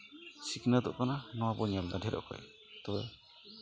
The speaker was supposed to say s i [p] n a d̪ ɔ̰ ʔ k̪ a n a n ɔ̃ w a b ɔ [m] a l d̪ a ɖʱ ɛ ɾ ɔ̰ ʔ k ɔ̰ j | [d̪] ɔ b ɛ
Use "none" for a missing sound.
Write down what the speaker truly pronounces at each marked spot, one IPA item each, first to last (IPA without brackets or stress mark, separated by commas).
k, ɲ, t̪